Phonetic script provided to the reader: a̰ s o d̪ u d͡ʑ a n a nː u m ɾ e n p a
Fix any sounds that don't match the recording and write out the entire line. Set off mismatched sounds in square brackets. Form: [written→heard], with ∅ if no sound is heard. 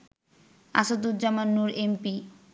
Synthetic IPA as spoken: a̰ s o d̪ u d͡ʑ a [n→m] a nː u [m→∅] ɾ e [n→m] p [a→i]